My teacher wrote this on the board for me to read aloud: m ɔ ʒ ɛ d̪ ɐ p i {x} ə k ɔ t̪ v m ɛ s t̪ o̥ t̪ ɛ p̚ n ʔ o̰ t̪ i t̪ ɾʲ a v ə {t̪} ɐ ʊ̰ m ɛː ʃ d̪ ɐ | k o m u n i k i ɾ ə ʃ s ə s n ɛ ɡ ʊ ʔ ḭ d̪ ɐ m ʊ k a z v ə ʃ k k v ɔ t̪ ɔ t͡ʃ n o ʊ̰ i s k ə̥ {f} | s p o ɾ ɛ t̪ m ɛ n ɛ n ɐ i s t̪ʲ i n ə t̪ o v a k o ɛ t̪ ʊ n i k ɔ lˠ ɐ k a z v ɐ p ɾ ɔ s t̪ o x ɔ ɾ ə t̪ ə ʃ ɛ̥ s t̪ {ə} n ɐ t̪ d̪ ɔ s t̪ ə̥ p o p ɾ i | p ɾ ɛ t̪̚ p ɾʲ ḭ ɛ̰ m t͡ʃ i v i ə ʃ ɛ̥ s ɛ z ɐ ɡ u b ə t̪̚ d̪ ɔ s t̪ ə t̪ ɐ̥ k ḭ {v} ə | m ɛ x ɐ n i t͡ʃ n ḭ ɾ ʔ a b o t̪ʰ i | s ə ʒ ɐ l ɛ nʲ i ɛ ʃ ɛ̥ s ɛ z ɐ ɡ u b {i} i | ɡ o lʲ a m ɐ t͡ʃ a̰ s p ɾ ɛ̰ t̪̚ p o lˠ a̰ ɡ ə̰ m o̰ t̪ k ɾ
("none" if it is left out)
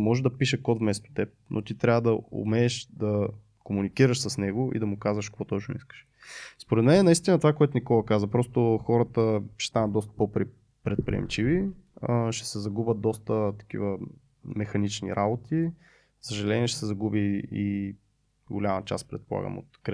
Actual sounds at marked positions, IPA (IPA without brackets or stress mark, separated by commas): ʃ, d̪, ʃ, a, v, i